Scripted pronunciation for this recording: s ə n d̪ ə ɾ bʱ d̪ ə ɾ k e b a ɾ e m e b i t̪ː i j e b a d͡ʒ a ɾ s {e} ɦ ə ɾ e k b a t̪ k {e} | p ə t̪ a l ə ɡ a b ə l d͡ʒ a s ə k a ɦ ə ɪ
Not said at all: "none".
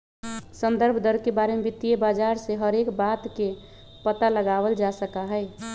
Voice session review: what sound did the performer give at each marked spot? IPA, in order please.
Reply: e, e

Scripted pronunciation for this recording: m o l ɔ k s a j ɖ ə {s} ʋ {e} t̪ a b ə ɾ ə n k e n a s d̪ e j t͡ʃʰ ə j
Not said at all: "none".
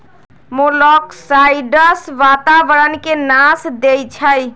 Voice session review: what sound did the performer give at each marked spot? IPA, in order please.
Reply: s, a

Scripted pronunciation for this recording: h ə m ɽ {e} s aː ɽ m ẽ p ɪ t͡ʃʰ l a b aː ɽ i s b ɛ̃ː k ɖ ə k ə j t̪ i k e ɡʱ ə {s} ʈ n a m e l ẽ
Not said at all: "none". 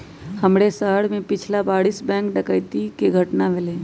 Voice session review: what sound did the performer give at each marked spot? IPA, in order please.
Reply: e, none

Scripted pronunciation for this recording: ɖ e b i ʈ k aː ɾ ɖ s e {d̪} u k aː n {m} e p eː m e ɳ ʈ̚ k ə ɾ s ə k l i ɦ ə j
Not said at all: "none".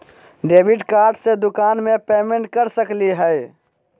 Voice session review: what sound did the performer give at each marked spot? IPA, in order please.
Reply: d̪, m

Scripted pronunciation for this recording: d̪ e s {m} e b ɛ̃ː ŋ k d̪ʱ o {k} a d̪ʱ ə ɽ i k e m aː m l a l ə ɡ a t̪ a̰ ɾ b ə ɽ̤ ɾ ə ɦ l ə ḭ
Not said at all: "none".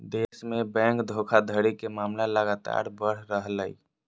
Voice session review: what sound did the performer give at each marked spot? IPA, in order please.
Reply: m, kʰ

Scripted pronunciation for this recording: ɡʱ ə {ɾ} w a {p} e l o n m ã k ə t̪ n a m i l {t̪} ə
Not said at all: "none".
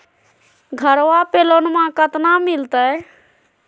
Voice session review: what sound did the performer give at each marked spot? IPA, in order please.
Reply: ɾ, p, t̪

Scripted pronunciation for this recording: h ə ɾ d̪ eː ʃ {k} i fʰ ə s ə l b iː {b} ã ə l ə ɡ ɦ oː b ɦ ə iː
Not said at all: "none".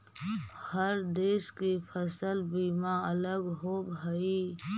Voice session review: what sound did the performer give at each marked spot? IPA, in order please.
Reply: k, m

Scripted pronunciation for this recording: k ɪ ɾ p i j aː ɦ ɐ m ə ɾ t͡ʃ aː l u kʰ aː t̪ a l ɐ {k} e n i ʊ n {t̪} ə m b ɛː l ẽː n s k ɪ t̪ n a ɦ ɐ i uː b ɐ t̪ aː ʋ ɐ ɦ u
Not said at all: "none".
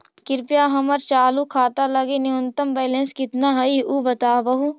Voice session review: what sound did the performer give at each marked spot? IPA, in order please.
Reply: ɡ, t̪

